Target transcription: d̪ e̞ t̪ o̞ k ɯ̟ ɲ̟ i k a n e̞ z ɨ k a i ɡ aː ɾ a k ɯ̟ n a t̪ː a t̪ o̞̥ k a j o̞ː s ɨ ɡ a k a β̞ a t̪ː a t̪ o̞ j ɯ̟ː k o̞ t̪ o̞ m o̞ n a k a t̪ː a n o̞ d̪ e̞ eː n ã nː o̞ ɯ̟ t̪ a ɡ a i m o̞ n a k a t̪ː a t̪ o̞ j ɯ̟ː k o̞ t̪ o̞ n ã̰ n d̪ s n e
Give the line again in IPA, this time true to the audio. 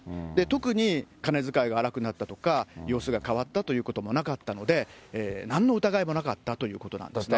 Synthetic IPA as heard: d̪ e̞ t̪ o̞ k ɯ̟ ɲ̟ i k a n e̞ z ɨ k a i ɡ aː ɾ a k ɯ̟ n a t̪ː a t̪ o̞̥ k a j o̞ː s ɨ ɡ a k a β̞ a t̪ː a t̪ o̞ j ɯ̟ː k o̞ t̪ o̞ m o̞ n a k a t̪ː a n o̞ d̪ e̞ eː n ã nː o̞ ɯ̟ t̪ a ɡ a i m o̞ n a k a t̪ː a t̪ o̞ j ɯ̟ː k o̞ t̪ o̞ n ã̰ n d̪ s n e